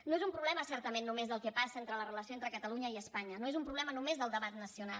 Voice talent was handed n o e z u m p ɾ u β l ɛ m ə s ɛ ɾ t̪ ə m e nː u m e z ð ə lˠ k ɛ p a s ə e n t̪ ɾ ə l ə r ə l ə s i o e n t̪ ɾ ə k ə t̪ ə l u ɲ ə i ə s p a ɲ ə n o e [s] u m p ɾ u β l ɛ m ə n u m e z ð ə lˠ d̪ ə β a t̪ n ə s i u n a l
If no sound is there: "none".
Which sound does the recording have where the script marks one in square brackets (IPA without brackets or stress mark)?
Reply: z